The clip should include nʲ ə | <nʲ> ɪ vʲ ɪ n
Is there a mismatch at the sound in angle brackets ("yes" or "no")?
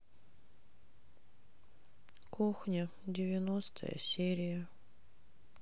yes